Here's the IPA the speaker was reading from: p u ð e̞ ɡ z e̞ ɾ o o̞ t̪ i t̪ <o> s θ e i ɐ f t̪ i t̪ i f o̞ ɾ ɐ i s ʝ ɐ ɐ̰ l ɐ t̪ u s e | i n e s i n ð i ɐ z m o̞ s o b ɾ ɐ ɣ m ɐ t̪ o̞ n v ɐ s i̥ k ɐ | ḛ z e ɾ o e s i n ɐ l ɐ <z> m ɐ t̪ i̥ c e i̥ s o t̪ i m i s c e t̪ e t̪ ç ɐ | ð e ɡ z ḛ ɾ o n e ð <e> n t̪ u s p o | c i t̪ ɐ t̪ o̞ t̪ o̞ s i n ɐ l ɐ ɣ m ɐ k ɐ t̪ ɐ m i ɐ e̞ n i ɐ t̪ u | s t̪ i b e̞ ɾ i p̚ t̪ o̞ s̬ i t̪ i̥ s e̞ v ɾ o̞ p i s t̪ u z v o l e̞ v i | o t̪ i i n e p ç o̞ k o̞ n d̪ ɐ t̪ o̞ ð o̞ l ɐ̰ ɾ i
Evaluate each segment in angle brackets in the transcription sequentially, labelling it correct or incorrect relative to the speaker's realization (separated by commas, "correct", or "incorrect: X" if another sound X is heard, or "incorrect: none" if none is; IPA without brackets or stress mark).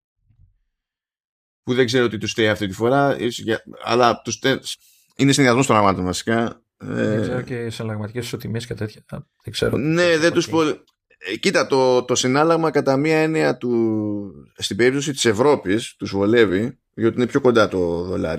incorrect: u, incorrect: ɣ, correct